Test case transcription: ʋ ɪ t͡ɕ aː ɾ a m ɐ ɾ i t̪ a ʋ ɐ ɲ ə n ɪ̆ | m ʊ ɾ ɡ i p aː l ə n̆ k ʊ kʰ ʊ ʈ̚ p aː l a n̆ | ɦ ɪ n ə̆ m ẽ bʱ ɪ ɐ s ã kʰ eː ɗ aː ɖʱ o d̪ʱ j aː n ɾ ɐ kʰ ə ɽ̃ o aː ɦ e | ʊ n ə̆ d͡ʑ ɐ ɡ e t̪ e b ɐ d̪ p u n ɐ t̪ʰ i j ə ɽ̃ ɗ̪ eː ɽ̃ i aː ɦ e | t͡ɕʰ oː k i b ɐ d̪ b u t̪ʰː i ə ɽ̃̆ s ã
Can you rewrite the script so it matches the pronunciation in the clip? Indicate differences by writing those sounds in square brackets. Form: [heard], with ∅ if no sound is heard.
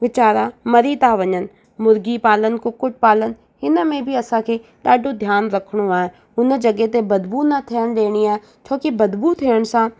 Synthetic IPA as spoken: ʋ ɪ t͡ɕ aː ɾ a m ɐ ɾ i t̪ a ʋ ɐ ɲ ə n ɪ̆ | m ʊ ɾ ɡ i p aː l ə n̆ k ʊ [k] ʊ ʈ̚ p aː l [ə] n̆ | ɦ ɪ n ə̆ m ẽ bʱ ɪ ɐ s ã kʰ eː ɗ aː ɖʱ o d̪ʱ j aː n ɾ ɐ kʰ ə ɽ̃ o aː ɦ e | ʊ n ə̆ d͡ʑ ɐ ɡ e t̪ e b ɐ d̪ [b] u n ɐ t̪ʰ i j ə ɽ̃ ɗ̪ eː ɽ̃ i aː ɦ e | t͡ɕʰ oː k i b ɐ d̪ b u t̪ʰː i ə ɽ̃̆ s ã